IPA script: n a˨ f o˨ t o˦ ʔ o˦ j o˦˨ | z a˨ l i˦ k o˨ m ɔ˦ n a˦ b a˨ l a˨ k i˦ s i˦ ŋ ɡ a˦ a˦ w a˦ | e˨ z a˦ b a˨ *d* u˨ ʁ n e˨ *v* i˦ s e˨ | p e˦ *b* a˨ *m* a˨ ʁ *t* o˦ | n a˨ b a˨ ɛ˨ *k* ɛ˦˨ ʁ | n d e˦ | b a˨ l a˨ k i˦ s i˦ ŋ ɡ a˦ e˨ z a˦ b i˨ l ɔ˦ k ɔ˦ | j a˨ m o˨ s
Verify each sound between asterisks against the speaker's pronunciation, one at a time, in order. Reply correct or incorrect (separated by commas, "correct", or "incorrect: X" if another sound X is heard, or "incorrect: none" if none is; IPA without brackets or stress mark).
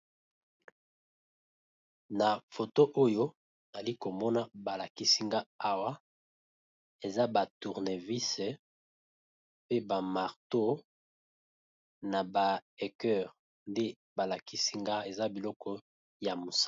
incorrect: t, correct, correct, correct, correct, correct